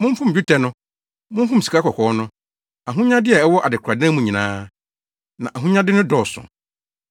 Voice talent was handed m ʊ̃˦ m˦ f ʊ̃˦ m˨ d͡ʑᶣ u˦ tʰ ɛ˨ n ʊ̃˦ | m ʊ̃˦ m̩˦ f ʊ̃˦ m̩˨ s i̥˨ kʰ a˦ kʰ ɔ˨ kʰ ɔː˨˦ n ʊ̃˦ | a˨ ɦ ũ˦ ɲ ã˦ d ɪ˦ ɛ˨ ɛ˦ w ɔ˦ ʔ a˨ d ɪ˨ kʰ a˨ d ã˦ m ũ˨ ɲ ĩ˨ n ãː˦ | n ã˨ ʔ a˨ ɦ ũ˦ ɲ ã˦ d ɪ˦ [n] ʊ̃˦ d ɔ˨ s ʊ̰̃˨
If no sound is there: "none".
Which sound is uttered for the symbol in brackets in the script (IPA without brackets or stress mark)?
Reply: n